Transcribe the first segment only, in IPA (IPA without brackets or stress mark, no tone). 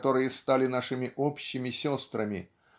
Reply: t̪